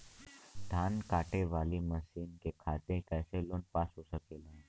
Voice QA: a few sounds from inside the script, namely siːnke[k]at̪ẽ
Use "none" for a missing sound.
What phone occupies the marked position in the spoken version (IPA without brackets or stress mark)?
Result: kʰ